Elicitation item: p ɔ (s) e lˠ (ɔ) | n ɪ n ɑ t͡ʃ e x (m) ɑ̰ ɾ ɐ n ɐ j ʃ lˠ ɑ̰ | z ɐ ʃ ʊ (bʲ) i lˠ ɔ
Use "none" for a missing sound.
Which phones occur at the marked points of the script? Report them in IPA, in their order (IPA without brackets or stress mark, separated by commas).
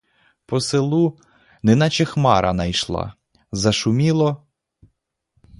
s, u, m, mʲ